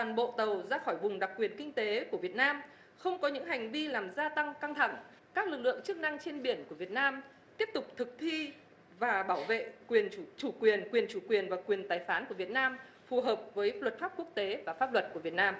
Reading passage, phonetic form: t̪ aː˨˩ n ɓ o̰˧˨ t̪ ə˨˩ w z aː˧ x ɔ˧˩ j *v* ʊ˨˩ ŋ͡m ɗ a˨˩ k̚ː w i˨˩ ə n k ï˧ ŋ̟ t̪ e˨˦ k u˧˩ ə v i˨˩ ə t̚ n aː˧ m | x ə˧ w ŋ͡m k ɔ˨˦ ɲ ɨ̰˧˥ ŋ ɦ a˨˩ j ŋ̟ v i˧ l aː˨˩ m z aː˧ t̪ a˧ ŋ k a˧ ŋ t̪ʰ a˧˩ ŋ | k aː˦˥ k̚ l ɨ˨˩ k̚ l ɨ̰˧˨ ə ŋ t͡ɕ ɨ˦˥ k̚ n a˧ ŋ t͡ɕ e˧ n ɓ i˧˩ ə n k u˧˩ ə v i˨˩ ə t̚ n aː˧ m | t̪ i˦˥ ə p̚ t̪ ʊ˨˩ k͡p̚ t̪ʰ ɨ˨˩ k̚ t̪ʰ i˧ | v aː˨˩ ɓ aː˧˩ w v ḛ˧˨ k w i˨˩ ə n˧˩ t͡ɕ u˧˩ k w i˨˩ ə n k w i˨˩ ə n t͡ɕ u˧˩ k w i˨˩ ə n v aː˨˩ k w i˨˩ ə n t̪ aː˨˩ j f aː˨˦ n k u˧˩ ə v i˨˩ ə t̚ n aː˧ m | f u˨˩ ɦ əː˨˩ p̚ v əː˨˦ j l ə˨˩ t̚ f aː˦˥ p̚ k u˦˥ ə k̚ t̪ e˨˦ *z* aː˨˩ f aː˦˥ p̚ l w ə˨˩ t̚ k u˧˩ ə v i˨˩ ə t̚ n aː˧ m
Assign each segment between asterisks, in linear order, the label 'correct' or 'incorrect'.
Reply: correct, incorrect: v

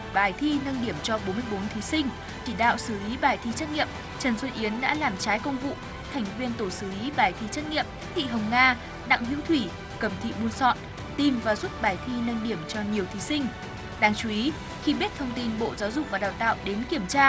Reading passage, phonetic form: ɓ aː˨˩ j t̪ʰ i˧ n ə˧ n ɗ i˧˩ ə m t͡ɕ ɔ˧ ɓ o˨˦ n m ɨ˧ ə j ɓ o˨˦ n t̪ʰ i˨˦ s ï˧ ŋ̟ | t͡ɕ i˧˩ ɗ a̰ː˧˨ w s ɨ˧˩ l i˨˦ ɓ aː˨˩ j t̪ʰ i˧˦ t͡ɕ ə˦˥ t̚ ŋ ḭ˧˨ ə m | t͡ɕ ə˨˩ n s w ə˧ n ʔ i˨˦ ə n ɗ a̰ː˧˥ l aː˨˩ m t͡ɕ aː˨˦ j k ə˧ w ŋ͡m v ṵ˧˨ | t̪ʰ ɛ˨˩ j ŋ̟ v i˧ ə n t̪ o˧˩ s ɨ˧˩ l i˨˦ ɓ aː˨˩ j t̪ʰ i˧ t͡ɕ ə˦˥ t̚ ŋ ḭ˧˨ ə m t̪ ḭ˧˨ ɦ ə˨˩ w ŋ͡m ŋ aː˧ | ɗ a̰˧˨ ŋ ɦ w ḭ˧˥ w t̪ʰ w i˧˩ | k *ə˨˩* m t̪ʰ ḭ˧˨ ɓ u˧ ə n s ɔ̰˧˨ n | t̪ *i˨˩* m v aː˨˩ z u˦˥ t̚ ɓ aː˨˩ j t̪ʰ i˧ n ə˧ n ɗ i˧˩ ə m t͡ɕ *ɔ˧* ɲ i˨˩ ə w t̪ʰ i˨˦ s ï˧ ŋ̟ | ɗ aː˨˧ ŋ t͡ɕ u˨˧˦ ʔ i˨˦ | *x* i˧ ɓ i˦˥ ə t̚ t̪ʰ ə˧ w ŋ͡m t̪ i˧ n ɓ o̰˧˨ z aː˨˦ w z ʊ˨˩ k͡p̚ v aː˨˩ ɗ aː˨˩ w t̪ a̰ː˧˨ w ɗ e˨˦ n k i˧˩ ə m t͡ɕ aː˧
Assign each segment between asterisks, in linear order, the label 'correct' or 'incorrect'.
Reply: correct, correct, correct, correct

